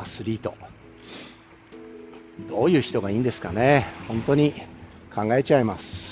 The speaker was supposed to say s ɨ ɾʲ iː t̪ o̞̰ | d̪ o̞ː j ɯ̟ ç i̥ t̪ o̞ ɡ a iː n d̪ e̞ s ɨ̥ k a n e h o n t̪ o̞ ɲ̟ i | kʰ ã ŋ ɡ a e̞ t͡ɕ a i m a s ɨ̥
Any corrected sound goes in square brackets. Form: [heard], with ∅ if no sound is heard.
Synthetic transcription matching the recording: s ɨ ɾʲ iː t̪ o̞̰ | d̪ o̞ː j [ɯ̟ː] ç i̥ t̪ o̞ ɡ a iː n d̪ e̞ s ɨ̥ k a n e h [õ] n t̪ o̞ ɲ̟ i | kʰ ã ŋ ɡ a e̞ t͡ɕ a i m a s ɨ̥